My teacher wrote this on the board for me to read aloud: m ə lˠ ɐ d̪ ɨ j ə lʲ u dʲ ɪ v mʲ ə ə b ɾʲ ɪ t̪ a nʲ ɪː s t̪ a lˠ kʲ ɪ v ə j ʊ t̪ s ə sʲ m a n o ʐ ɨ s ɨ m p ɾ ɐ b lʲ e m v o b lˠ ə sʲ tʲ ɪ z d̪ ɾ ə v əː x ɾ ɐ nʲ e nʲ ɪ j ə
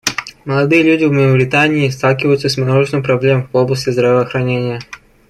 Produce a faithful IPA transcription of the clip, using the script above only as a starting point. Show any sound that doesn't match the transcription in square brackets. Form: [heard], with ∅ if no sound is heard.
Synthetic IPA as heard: m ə lˠ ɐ d̪ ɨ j ə lʲ u dʲ ɪ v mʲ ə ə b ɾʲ ɪ t̪ a nʲ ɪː s t̪ a lˠ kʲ ɪ v ə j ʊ t̪ s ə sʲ m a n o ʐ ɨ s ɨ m p ɾ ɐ b lʲ e m v o b lˠ ə sʲ tʲ ɪ z d̪ ɾ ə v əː x ɾ ɐ nʲ e nʲ ɪ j ə